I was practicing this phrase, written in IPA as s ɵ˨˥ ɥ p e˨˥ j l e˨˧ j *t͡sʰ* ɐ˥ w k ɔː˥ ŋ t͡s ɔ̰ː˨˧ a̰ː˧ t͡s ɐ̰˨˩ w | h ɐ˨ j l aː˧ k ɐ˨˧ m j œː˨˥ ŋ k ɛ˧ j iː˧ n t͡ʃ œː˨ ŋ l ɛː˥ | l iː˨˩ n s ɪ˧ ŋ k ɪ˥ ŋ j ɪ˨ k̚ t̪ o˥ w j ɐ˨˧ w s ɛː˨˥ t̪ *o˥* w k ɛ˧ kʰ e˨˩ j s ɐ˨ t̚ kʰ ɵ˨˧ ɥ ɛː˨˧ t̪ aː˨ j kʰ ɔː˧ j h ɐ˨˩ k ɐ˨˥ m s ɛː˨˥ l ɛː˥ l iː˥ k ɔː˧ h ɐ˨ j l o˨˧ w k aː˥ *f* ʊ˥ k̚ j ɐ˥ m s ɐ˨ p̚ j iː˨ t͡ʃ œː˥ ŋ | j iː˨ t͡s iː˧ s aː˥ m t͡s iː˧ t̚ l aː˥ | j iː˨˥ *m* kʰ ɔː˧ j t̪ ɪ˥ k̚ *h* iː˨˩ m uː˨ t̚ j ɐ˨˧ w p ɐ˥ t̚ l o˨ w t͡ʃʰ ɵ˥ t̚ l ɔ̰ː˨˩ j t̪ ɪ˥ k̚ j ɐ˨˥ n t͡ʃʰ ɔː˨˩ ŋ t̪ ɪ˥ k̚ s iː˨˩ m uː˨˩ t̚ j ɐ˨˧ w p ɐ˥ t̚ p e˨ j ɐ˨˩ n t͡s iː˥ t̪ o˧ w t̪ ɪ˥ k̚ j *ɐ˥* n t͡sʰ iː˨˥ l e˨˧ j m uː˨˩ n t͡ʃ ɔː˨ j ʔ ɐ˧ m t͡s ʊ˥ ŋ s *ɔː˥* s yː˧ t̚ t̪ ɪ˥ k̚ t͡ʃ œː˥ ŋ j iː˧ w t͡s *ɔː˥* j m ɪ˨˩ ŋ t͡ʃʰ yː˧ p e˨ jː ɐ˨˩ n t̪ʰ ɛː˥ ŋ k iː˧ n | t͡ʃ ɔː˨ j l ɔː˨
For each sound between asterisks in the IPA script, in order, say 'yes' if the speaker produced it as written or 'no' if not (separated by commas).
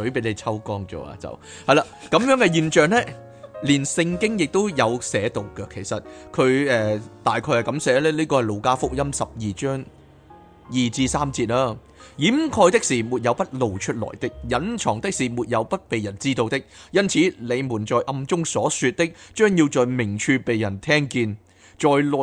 yes, no, yes, yes, no, yes, no, no